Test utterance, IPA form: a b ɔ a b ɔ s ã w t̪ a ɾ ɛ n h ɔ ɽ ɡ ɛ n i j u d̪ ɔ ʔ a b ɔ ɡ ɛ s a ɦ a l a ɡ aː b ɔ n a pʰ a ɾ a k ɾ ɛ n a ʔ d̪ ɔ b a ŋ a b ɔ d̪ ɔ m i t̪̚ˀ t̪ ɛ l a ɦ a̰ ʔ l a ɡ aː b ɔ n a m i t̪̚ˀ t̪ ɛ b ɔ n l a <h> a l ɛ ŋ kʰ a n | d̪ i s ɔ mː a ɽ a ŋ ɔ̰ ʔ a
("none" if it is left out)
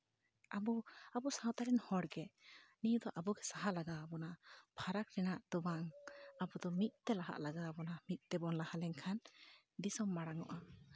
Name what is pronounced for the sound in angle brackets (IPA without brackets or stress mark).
h